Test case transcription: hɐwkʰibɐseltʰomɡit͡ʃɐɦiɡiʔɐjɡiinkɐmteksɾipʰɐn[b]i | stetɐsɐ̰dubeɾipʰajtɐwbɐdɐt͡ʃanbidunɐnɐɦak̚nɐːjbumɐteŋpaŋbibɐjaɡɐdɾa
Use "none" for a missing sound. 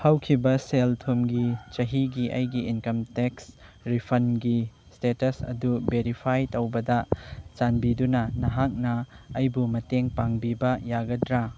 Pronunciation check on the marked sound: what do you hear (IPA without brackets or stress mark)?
ɡ